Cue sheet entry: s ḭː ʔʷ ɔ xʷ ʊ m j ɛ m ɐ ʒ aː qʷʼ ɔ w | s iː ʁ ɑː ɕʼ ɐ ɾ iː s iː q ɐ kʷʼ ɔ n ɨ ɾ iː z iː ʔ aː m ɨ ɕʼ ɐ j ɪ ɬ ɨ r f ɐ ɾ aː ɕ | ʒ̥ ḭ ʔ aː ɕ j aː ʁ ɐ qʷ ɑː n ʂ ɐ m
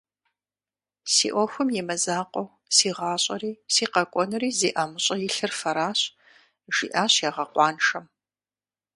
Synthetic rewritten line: s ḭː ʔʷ ɔ xʷ ʊ m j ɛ m ɐ z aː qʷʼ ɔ w | s iː ʁ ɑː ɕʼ ɐ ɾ iː s iː q ɐ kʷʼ ɔ n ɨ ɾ iː z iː ʔ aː m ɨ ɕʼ ɐ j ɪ ɬ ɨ r f ɐ ɾ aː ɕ | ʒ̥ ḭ ʔ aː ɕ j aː ʁ ɐ qʷ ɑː n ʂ ɐ m